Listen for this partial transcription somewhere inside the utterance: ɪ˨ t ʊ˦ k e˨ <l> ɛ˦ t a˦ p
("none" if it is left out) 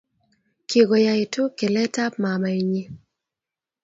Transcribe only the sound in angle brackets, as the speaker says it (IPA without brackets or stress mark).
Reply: l